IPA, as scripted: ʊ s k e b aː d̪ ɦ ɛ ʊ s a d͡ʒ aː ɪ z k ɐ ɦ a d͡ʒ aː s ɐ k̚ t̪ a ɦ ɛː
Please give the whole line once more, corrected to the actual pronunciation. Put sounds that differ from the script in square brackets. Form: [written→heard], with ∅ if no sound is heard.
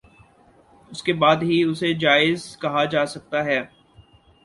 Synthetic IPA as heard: ʊ s k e b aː d̪ ɦ [ɛ→i] ʊ s [a→e] d͡ʒ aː ɪ z k ɐ ɦ a d͡ʒ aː s ɐ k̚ t̪ a ɦ ɛː